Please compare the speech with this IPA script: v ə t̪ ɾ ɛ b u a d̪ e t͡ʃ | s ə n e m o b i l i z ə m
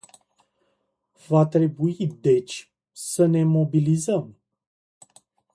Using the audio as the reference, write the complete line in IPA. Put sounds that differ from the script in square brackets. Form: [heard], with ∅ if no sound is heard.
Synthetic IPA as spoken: v [a] t̪ ɾ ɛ b u [i] d̪ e t͡ʃ | s ə n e m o b i l i z ə m